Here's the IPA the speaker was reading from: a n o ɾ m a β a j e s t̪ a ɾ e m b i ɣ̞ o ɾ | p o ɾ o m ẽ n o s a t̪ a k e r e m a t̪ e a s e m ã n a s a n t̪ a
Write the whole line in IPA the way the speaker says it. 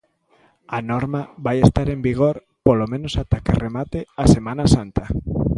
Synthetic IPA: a n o ɾ m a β a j e s t̪ a ɾ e m b i ɣ̞ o ɾ | p o l o m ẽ n o s a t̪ a k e r e m a t̪ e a s e m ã n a s a n t̪ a